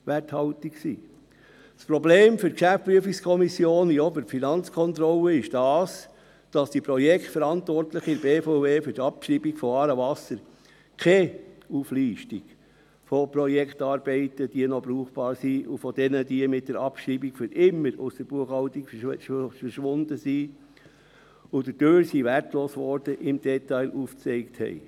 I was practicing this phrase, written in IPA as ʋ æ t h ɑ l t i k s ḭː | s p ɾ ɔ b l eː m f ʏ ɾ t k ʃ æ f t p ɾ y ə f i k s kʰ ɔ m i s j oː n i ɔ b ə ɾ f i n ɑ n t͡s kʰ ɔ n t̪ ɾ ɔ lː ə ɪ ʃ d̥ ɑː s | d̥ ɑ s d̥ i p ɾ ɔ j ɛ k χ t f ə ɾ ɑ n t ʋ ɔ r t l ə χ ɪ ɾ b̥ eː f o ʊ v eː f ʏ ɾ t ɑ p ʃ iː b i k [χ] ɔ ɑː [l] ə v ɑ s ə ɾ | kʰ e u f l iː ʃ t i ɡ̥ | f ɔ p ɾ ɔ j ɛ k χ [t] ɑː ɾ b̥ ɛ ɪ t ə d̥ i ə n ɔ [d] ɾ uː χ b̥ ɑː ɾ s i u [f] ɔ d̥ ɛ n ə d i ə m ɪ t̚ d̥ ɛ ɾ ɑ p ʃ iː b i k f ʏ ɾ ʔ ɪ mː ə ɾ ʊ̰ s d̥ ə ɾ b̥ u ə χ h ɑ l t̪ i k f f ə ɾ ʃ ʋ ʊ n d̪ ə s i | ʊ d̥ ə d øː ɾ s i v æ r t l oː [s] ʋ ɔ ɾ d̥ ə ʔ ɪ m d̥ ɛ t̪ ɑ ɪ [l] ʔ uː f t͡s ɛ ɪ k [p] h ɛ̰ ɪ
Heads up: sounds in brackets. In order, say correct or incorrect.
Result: incorrect: f, incorrect: ɾ, correct, incorrect: b, correct, correct, correct, incorrect: t

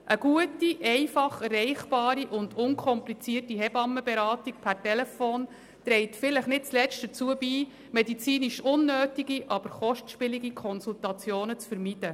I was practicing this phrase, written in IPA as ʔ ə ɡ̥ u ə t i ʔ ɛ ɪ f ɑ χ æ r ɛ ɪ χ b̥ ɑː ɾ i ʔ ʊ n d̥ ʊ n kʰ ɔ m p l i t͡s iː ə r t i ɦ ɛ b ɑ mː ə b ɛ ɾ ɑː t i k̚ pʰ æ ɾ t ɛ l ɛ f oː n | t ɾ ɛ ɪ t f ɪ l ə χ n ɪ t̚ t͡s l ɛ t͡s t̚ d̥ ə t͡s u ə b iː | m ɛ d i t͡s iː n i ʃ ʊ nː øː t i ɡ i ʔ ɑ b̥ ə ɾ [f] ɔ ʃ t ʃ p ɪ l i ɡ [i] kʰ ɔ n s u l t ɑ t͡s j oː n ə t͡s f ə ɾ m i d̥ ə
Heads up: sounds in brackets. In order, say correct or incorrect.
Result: incorrect: χ, correct

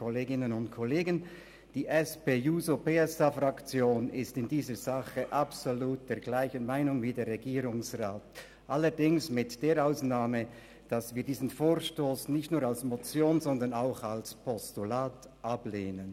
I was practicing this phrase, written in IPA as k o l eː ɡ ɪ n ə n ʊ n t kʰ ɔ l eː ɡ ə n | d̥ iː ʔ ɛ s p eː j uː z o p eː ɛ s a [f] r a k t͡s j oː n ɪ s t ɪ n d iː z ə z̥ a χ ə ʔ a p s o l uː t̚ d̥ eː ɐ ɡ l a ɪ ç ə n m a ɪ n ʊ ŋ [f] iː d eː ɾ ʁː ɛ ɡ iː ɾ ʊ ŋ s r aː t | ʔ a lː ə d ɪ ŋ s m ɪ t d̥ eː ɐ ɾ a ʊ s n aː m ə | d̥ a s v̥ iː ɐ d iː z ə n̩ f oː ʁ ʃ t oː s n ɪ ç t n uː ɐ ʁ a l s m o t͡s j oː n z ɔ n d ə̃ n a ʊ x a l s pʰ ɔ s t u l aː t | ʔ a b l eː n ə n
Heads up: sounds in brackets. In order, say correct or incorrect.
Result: correct, incorrect: v

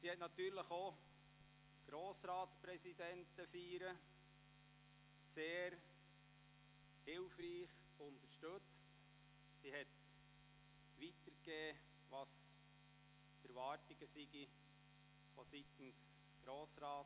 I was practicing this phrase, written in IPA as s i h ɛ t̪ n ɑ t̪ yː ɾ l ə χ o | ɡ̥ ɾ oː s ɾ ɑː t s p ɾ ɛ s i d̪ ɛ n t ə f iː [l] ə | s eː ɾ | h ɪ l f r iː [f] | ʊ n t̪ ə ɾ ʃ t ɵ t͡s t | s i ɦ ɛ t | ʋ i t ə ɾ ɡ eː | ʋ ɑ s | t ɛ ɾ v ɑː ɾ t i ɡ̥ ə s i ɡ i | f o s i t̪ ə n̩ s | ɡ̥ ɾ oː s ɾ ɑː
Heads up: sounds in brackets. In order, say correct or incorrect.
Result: incorrect: ɾ, incorrect: χ

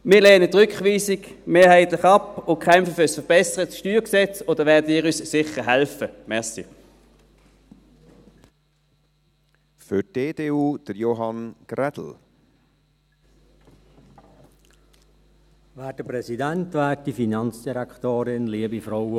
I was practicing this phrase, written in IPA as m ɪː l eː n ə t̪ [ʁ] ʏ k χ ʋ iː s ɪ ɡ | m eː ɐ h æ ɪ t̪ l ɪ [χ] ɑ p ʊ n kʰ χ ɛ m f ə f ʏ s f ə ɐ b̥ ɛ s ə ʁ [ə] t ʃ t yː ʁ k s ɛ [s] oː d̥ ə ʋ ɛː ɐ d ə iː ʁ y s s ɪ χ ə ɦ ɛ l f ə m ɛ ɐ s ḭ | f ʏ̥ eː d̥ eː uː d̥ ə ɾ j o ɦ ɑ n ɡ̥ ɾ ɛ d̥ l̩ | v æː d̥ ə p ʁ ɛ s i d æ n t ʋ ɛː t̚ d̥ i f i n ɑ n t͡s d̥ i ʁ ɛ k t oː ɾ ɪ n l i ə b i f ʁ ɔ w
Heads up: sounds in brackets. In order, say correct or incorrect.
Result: correct, correct, correct, incorrect: t͡s

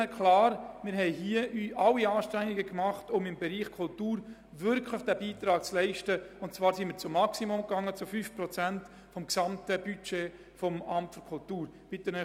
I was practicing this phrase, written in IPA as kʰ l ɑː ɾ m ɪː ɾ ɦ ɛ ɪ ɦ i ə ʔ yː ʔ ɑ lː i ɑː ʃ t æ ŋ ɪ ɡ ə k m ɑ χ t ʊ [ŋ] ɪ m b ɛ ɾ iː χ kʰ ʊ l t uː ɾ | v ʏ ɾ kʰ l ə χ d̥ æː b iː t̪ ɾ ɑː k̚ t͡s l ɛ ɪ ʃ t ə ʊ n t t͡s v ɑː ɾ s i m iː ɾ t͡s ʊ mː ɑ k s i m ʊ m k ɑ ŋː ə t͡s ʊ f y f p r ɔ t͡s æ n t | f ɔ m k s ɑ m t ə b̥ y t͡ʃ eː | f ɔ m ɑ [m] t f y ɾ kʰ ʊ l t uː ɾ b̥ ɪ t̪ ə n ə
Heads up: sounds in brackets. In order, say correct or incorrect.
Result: incorrect: m, correct

